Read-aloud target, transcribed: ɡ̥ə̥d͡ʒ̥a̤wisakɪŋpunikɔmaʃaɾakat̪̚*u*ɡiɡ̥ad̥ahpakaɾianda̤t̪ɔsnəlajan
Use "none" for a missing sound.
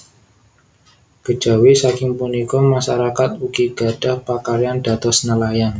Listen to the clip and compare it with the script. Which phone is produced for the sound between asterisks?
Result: u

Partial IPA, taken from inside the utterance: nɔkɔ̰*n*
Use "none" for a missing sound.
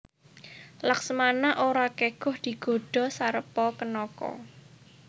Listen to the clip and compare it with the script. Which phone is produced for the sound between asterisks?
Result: none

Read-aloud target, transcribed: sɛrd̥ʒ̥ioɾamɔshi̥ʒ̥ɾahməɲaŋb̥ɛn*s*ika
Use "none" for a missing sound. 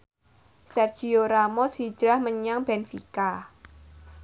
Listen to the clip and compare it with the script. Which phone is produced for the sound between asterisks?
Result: f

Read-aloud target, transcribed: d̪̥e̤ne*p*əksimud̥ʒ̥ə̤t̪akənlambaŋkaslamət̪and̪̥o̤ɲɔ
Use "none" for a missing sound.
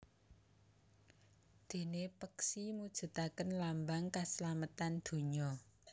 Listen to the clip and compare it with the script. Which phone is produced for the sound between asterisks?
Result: p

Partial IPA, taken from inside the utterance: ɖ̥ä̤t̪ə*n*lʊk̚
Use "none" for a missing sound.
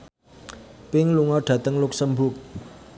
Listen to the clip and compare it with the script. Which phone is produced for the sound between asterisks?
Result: ŋ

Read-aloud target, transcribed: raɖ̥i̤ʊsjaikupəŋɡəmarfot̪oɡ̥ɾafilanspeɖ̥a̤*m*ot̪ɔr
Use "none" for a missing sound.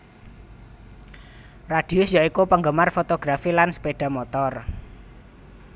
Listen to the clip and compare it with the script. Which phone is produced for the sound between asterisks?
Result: m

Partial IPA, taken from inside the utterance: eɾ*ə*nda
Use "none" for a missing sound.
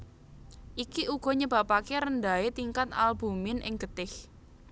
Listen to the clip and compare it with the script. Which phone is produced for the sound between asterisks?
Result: ə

